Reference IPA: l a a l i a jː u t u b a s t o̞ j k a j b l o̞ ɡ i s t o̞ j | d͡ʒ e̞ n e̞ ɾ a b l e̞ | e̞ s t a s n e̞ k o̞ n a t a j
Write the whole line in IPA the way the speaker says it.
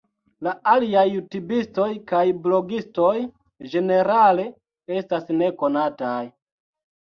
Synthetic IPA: l a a l i a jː u t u b i s t o̞ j k a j b l o̞ ɡ i s t o̞ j | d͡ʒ e̞ n e̞ ɾ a l e̞ | e̞ s t a s n e̞ k o̞ n a t a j